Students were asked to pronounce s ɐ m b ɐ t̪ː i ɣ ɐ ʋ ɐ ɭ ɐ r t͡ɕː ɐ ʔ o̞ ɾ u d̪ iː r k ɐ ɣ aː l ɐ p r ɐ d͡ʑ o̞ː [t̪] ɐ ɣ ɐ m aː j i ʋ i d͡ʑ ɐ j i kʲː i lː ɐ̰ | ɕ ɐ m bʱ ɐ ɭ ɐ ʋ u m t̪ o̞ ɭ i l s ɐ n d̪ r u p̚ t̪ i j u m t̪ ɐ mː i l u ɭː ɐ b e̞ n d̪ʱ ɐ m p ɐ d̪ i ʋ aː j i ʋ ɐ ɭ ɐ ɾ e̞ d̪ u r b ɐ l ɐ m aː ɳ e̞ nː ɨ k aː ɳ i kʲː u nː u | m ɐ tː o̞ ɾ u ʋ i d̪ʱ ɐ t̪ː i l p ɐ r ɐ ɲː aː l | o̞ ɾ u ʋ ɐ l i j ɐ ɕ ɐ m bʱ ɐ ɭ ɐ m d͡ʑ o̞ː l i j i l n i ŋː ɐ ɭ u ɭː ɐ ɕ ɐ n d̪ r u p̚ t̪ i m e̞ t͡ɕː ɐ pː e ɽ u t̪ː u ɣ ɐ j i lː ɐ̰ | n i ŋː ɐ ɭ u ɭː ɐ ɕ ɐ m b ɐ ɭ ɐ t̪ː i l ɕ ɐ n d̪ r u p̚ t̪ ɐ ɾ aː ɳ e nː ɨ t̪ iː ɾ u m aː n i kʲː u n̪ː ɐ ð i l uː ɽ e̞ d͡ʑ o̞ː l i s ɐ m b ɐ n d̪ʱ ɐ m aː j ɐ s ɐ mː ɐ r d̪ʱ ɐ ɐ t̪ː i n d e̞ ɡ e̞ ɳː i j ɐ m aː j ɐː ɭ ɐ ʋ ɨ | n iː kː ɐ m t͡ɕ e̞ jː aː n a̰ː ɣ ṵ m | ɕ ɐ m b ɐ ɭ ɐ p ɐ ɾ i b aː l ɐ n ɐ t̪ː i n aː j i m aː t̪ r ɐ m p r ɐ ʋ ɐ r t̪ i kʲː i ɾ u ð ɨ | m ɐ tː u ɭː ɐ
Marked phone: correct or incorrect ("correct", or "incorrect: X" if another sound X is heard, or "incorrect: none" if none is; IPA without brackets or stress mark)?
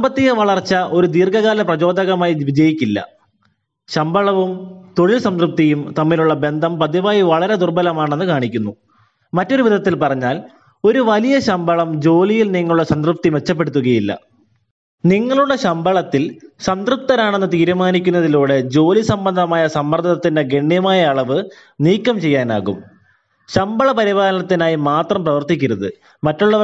incorrect: d̪